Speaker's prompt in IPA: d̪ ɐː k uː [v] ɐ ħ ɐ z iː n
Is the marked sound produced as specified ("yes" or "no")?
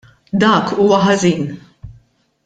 no